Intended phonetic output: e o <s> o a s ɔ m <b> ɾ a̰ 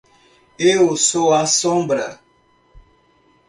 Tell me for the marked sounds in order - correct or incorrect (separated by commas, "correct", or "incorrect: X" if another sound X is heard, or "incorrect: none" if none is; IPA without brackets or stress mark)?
correct, correct